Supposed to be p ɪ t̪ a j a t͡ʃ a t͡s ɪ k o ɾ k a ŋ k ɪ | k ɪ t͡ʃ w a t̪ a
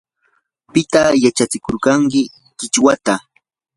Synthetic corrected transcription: p ɪ t̪ a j a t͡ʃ a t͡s ɪ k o ɾ k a ŋ k ɪ | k ɪ t͡ʃ w a t̪ a